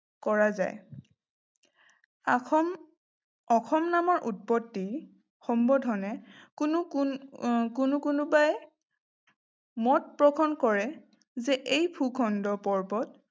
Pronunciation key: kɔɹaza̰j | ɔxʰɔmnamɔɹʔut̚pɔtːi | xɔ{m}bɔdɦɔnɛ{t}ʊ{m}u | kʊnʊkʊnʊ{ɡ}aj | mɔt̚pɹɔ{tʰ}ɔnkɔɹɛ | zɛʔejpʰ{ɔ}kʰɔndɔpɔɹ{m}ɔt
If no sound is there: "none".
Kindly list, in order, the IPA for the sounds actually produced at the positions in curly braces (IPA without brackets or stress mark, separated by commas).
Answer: m, k, n, b, kʰ, u, b